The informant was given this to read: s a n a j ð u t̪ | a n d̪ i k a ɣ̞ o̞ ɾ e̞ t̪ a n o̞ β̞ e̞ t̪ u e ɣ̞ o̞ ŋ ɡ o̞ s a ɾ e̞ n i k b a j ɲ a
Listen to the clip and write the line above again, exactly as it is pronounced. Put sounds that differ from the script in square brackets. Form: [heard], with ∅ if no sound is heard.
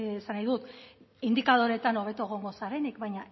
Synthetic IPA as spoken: s a n a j ð u t̪ | [i] n d̪ i k a [ð̞] o̞ ɾ e̞ t̪ a n o̞ β̞ e̞ t̪ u e ɣ̞ o̞ ŋ ɡ o̞ s a ɾ e̞ n i k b a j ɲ a